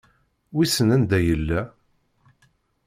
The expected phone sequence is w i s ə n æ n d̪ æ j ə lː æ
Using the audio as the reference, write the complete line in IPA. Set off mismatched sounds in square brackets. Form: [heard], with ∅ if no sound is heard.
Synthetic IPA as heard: w i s ə n æ n d̪ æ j ə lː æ